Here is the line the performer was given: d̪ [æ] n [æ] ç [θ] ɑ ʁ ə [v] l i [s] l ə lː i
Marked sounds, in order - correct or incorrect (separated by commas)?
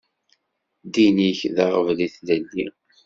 incorrect, incorrect, incorrect, correct, incorrect